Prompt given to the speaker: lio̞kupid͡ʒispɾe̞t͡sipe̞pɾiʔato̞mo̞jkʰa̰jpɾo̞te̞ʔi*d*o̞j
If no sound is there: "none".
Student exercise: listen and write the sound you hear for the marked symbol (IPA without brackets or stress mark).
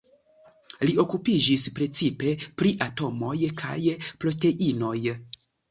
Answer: n